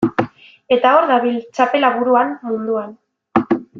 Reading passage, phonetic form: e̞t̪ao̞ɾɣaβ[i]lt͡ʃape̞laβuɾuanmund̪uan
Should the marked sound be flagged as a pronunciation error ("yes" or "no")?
no